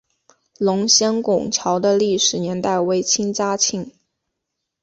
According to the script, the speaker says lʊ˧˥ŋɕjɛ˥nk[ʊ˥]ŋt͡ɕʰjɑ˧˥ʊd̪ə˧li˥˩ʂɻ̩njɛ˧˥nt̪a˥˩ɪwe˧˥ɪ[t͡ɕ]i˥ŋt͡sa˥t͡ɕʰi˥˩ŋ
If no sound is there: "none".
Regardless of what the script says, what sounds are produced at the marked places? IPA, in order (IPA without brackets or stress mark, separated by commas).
ʊ˨˩, t͡ɕʰ